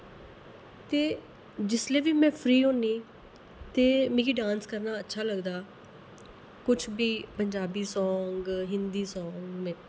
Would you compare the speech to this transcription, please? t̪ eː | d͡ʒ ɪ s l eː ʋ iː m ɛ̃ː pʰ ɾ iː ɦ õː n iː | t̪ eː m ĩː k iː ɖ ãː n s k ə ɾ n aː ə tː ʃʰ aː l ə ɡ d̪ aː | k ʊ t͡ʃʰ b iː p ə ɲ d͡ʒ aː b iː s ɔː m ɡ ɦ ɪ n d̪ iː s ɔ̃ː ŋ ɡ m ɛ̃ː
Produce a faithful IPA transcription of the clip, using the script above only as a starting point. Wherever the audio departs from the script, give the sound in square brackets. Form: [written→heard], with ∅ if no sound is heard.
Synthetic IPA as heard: t̪ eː | d͡ʒ ɪ s l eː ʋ iː m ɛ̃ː pʰ ɾ iː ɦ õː n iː | t̪ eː m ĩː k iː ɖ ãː n s k ə ɾ n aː ə tː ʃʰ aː l ə ɡ d̪ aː | k ʊ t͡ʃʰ b iː p ə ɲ d͡ʒ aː b iː s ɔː [m→ŋ] ɡ ɦ ɪ n d̪ iː s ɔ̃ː ŋ ɡ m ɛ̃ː